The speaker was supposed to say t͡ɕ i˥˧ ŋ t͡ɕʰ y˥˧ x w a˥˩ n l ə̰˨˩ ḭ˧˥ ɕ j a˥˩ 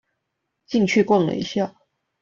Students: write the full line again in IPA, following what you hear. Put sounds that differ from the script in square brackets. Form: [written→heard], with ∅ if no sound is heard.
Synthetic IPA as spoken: t͡ɕ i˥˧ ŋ t͡ɕʰ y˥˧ [x→k] w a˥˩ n l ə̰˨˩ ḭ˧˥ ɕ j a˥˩